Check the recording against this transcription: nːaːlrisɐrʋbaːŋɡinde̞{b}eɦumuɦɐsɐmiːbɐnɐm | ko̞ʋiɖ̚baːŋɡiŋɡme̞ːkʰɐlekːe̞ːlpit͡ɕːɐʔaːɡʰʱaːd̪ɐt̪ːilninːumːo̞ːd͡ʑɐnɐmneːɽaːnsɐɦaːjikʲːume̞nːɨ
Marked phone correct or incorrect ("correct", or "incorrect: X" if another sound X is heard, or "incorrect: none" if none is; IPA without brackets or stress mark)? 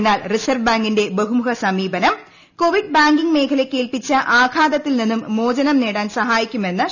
correct